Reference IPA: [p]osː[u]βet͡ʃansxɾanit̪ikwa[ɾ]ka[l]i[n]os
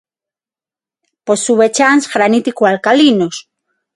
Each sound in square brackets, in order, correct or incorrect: correct, correct, incorrect: l, correct, correct

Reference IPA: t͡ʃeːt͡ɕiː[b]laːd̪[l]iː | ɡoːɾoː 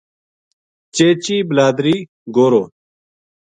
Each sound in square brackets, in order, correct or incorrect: correct, incorrect: ɾ

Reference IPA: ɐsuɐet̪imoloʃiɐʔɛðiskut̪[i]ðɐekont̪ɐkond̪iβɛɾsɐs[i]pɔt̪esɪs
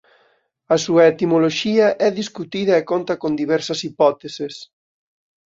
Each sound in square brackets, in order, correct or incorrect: correct, correct

